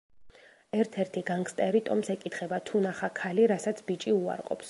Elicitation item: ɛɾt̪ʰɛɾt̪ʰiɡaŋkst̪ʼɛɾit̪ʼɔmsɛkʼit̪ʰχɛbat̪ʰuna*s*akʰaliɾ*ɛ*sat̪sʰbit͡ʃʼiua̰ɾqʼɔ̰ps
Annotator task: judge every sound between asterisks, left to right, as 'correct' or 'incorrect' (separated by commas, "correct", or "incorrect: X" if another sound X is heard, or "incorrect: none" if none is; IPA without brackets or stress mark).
incorrect: χ, incorrect: a